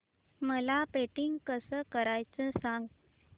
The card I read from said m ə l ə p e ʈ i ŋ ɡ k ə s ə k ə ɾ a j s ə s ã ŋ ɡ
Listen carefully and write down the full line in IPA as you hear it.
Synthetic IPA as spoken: m ə l a p e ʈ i ŋ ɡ k ə s ə k ə ɾ a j t͡s ə s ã ŋ ɡ